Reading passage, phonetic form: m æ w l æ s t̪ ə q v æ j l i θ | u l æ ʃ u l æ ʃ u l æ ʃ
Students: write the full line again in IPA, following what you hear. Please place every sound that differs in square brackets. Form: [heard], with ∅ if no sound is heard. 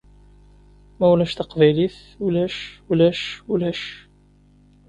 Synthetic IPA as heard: m æ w l æ [ʃ] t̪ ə q v æ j l i θ | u l æ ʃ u l æ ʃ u l æ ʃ